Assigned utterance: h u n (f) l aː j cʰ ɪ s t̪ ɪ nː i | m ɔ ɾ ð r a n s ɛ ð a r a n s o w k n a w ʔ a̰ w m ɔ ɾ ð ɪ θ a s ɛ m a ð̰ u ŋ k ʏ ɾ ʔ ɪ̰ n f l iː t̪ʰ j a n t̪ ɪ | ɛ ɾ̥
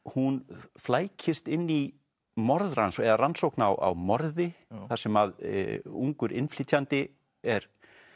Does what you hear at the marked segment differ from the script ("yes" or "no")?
no